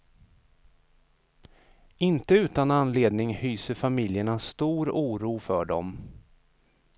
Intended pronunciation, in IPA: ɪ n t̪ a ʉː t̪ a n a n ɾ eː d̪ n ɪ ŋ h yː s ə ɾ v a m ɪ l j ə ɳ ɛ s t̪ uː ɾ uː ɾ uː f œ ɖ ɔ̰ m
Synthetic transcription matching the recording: ɪ n t̪ ə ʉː t̪ a n a n l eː d̪ n ɪ ŋ h yː s ə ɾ f a m ɪ l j ə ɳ a s t̪ uː ɾ uː ɾ uː f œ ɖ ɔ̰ m